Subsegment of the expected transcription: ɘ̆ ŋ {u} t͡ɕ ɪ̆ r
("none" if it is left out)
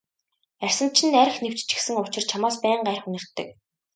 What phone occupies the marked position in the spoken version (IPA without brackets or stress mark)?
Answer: ʊ